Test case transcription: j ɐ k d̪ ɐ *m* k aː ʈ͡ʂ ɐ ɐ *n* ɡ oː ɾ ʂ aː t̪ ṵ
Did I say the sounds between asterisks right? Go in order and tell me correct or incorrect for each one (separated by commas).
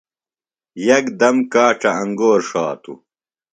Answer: correct, incorrect